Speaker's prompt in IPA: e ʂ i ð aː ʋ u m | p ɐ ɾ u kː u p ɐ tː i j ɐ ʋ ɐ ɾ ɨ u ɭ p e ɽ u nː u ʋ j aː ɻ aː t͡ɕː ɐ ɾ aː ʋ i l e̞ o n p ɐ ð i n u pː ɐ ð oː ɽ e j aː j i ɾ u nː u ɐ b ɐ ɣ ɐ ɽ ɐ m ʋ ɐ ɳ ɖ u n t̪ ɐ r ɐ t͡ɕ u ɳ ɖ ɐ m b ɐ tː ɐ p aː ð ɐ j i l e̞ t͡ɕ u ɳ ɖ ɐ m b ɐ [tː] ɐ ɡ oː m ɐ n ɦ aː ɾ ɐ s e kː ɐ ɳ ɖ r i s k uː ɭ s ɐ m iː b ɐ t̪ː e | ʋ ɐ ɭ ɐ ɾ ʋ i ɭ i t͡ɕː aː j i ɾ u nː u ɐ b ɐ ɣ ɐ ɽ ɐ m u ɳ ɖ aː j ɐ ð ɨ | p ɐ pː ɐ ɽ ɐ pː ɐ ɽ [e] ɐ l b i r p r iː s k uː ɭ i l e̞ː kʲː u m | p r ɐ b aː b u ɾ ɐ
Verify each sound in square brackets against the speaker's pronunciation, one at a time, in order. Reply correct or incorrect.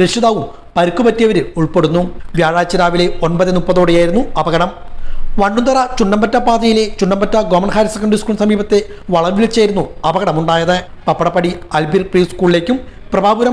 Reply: correct, incorrect

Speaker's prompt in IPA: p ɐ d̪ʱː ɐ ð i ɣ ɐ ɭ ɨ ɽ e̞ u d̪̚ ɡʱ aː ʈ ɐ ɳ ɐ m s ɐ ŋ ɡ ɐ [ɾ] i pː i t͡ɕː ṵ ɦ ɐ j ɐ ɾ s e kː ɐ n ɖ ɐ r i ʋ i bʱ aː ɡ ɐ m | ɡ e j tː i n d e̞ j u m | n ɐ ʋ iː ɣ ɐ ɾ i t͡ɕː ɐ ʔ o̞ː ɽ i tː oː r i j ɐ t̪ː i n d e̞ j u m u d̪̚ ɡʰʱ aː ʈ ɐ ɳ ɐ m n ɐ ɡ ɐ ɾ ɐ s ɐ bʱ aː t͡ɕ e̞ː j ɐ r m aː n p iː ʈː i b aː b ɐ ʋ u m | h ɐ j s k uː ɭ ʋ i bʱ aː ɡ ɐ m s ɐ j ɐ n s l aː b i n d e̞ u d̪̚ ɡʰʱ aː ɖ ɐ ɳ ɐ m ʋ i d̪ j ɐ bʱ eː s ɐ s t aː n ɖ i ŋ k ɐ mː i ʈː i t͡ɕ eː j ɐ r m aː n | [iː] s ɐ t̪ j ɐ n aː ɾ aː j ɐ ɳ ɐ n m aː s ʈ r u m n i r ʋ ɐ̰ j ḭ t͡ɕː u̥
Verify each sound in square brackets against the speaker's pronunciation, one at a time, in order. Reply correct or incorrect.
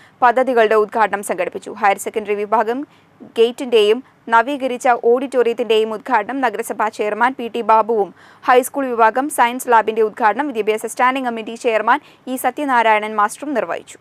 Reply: incorrect, correct

